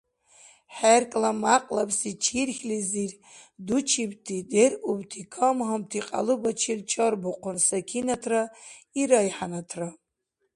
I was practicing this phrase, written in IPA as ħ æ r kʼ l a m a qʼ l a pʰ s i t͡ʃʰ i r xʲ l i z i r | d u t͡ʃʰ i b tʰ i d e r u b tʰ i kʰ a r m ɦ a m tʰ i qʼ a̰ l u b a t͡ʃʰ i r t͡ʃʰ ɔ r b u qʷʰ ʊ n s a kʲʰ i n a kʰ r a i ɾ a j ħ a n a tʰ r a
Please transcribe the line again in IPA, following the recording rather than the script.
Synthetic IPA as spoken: ħ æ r kʼ l a m a qʼ l a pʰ s i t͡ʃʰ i r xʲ l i z i r | d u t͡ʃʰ i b tʰ i d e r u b tʰ i kʰ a m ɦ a m tʰ i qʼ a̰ l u b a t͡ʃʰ i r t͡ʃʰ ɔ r b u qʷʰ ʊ n s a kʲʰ i n a tʰ r a i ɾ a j ħ a n a tʰ r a